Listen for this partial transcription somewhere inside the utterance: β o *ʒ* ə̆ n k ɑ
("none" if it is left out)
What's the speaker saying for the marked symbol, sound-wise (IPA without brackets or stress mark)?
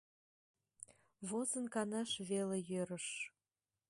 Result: z